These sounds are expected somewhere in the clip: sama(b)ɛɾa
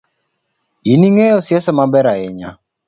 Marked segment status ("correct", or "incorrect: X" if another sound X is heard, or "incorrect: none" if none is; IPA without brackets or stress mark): correct